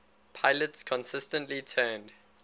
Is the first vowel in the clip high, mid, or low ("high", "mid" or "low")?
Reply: low